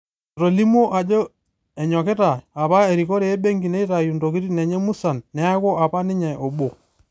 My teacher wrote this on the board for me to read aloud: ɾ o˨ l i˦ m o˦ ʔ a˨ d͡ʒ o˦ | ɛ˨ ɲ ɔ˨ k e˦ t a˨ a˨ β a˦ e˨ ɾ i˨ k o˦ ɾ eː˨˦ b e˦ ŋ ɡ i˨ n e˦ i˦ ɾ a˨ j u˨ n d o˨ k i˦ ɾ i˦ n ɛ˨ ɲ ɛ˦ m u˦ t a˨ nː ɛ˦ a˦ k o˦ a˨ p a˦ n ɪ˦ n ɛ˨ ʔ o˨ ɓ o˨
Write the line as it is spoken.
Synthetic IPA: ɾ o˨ l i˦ m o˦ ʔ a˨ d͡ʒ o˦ | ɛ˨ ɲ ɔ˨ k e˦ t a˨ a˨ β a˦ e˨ ɾ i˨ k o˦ ɾ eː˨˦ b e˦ ŋ ɡ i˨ n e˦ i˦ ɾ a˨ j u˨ n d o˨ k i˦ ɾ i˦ n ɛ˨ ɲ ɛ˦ m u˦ s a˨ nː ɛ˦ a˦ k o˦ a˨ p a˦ n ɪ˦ ɲ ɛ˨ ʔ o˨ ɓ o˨